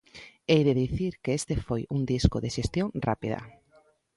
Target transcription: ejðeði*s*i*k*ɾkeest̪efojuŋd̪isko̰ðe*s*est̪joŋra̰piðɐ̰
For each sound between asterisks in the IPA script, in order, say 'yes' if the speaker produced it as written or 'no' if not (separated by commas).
no, no, no